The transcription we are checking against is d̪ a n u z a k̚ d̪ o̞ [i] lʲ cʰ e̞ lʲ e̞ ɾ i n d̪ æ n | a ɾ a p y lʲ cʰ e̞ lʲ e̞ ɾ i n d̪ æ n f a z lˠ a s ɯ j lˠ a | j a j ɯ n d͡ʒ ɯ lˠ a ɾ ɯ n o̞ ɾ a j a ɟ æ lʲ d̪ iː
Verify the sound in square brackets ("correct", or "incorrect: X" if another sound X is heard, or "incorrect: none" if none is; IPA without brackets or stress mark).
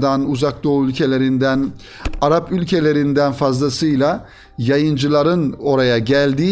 incorrect: y